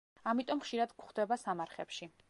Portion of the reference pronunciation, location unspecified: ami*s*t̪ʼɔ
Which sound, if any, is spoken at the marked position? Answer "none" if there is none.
none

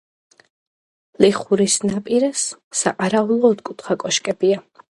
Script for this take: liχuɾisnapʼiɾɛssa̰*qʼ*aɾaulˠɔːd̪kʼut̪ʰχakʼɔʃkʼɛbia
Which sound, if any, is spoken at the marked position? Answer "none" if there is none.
qʼ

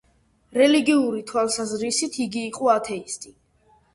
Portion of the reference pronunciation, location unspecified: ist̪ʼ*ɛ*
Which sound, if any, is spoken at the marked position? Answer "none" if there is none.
i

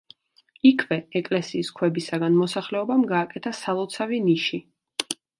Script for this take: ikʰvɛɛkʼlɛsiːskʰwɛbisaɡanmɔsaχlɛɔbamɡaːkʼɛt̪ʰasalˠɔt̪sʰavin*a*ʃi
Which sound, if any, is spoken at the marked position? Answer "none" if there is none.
i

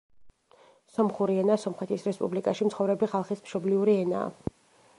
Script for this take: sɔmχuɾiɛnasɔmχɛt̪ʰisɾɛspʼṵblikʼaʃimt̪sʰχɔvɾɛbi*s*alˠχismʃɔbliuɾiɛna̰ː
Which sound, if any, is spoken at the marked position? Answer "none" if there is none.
χ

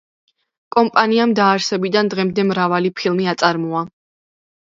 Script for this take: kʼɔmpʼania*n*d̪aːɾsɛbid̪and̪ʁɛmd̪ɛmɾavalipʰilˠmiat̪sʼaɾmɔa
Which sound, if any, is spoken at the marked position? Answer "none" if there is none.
m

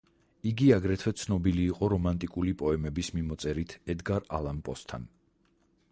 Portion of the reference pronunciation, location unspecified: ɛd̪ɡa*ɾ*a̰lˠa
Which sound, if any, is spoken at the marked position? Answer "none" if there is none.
ɾ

